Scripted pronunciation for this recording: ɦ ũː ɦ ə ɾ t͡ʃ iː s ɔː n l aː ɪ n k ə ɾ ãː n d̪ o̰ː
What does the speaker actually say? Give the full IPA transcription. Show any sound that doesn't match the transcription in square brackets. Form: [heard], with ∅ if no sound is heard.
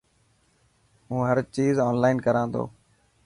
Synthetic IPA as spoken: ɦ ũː ɦ ə ɾ t͡ʃ iː [z] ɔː n l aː ɪ n k ə ɾ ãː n d̪ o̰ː